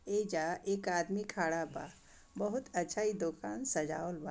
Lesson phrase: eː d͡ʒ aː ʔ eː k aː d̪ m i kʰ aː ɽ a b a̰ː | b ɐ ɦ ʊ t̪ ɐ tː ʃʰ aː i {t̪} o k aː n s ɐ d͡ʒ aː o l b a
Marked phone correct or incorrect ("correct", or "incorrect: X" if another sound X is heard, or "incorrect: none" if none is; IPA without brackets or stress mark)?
incorrect: d̪